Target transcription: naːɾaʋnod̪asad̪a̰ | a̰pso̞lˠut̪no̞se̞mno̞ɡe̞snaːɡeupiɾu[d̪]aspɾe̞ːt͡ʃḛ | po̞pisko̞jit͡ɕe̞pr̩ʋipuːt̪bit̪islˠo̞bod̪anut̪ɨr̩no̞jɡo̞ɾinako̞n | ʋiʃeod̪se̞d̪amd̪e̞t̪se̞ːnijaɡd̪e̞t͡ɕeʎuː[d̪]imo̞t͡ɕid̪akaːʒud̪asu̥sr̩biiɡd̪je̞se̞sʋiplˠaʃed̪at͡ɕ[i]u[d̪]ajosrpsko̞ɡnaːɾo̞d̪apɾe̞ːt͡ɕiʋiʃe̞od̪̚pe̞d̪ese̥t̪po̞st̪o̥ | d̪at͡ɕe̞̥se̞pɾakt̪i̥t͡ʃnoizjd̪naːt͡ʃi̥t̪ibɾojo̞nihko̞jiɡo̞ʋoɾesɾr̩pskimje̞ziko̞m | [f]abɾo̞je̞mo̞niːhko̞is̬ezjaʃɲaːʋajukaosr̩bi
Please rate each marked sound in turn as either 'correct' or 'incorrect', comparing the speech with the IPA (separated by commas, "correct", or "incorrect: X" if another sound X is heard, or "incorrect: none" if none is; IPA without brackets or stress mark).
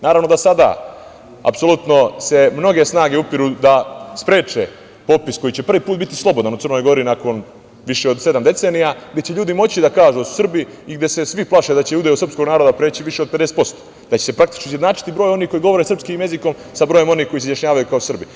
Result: correct, correct, incorrect: e, correct, incorrect: s